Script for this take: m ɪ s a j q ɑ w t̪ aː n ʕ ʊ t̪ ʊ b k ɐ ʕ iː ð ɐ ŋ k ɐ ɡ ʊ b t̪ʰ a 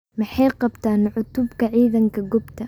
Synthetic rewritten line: m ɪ ħ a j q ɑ b t̪ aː n ʕ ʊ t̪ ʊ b k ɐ ʕ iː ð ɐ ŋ k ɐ ɡ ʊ b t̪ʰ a